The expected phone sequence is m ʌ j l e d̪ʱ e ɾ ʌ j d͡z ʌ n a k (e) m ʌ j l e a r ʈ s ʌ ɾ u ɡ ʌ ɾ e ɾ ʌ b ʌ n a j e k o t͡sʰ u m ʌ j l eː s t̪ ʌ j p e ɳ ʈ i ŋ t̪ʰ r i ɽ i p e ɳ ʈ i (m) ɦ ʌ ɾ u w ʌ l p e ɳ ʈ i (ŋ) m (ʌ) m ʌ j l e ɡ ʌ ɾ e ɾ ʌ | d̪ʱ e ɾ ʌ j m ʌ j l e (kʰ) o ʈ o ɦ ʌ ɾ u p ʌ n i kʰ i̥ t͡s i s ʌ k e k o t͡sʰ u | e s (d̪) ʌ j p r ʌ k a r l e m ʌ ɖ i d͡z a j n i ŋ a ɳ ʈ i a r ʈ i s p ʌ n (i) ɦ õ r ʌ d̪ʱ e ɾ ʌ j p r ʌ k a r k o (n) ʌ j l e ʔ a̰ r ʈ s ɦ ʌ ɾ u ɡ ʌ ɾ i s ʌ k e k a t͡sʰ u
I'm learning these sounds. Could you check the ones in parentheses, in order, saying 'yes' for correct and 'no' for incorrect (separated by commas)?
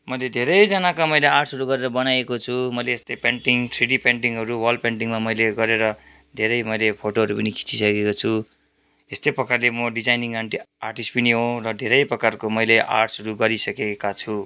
no, no, yes, no, no, no, yes, no